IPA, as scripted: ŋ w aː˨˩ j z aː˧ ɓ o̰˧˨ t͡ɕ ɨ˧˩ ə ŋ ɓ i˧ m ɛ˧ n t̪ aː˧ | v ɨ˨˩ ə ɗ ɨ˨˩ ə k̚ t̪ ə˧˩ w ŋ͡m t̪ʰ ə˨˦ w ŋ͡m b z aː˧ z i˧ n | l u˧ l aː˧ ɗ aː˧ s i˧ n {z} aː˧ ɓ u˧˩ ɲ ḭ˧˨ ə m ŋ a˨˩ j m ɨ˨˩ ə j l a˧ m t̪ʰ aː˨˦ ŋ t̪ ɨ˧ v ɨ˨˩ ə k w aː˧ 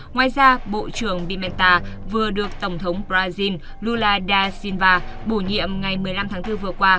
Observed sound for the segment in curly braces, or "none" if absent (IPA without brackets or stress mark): v